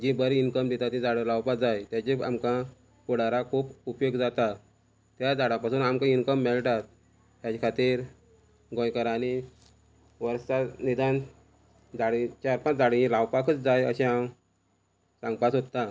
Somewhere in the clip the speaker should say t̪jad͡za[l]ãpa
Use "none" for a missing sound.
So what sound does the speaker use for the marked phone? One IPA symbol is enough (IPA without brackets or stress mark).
ɽ